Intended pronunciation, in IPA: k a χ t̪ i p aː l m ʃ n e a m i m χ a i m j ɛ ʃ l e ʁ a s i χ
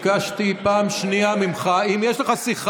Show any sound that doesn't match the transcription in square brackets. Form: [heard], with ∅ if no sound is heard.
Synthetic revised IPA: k a [ʃ] t̪ i p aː [∅] m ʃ n [i] a m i m χ a i m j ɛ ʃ l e [χ] a s i χ